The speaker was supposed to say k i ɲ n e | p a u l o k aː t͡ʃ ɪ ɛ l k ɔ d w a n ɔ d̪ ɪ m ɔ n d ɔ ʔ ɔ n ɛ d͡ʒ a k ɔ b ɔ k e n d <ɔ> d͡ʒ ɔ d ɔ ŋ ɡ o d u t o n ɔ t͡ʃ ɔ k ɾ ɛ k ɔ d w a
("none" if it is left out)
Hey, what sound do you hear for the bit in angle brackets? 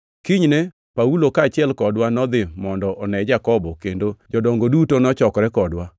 o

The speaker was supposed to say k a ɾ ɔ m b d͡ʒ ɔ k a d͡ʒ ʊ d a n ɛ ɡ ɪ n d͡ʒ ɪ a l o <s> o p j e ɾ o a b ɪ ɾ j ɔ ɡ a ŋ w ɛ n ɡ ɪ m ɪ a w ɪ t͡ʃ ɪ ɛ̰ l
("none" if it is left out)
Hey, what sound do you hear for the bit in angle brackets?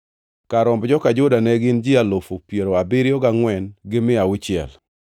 f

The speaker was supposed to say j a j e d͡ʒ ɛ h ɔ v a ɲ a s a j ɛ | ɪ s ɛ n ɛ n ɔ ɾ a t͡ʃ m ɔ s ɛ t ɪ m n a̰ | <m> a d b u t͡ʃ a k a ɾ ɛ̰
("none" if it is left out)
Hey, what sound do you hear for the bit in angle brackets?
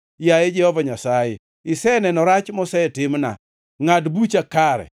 ŋ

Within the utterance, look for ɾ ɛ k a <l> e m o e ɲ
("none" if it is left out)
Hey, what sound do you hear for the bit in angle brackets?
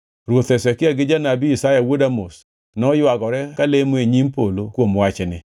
l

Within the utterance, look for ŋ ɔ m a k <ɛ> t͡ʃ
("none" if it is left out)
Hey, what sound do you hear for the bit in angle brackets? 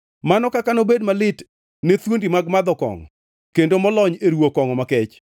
ɛ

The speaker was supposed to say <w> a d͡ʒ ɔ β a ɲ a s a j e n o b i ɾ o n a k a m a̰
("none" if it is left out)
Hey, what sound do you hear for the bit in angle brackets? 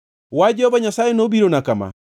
w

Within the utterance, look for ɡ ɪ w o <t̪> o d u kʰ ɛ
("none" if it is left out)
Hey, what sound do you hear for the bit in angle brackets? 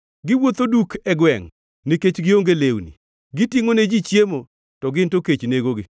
t̪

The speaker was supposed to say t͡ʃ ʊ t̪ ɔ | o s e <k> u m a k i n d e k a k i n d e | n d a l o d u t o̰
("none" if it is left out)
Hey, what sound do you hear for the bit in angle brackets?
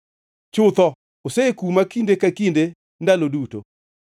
k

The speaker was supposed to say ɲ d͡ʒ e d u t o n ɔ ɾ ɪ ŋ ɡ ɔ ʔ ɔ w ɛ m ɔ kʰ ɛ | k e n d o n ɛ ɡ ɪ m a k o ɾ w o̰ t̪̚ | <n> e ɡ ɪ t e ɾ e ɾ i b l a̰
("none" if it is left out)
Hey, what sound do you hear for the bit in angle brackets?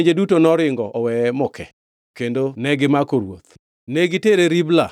n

